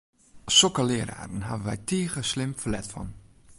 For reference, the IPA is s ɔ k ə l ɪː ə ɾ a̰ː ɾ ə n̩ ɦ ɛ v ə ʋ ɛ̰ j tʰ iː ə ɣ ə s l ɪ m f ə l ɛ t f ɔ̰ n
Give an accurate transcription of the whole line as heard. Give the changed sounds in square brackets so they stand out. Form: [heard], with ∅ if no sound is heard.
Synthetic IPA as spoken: s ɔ k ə l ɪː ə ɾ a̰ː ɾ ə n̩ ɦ [a] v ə ʋ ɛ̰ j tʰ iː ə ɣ ə s l ɪ m f ə l ɛ t f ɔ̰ n